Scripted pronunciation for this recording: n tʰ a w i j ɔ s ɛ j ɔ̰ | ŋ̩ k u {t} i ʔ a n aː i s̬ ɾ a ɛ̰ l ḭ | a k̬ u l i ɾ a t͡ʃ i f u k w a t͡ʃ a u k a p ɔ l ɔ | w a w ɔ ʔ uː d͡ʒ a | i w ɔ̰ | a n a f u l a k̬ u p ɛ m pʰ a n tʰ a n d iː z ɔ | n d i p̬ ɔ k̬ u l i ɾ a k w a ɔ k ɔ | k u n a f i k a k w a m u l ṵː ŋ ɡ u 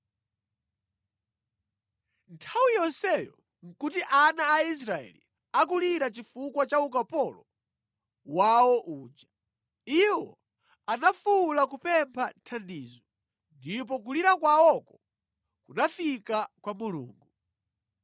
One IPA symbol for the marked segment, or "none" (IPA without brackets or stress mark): t